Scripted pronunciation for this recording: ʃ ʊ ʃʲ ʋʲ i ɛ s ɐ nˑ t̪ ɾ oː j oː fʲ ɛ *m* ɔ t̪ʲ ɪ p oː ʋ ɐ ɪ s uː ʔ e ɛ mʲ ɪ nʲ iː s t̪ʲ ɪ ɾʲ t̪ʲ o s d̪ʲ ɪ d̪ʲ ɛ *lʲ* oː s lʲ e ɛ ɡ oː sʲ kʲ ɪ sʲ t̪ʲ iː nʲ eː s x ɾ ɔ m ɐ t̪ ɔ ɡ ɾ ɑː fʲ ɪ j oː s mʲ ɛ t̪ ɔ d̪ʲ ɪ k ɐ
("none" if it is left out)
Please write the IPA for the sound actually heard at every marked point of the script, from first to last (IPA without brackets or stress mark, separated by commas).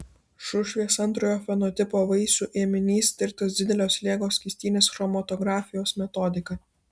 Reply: n, lʲ